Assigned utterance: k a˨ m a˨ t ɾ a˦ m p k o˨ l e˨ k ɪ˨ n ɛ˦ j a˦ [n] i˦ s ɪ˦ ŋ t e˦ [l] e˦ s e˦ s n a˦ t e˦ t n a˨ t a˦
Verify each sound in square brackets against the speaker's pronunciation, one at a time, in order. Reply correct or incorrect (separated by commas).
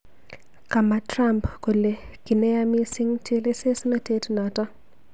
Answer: incorrect, correct